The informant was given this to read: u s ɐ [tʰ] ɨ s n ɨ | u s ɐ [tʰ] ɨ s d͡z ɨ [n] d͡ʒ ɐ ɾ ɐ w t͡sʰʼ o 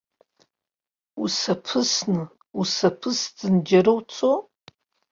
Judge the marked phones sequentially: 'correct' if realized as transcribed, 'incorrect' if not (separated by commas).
incorrect, incorrect, correct